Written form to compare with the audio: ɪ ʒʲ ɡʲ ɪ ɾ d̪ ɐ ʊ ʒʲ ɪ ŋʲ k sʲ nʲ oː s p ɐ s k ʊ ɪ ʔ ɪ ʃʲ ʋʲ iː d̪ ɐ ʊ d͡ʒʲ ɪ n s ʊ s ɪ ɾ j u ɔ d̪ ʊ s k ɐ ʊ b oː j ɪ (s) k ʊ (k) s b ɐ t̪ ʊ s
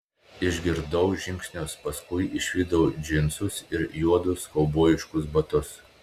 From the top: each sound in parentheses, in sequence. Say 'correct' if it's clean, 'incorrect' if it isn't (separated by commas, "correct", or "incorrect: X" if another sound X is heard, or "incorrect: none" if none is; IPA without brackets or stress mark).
incorrect: ʃ, incorrect: none